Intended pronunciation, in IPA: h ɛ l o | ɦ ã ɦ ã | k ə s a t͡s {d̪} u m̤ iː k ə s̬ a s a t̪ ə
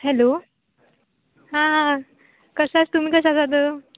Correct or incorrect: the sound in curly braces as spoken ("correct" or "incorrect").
incorrect